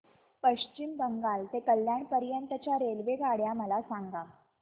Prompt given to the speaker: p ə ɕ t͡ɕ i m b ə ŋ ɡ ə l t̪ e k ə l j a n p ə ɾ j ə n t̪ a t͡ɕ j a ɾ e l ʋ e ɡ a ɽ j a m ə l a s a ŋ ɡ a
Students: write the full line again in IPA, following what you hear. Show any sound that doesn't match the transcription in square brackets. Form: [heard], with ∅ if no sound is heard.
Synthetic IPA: p ə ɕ t͡ɕ i m b ə ŋ ɡ [a] l t̪ e k ə l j a [ɳ] p ə ɾ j ə n t̪ [ə] t͡ɕ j a ɾ e l ʋ e ɡ a ɽ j a m ə l a s a ŋ ɡ a